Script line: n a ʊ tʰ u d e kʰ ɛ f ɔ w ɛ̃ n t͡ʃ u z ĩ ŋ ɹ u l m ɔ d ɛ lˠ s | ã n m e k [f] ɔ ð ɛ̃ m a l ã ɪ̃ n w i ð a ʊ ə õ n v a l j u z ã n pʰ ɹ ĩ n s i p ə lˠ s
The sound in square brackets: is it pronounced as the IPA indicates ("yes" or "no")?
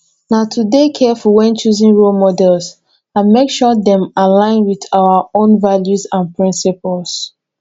no